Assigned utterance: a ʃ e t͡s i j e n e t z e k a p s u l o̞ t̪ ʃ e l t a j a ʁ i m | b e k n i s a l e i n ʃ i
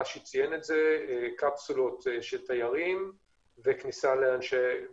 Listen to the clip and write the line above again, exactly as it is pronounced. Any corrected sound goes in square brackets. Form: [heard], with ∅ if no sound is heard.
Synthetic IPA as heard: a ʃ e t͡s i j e n e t z e k a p s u l o̞ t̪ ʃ e l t a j a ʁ i m | [v] e k n i s a l e [a] n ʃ [e]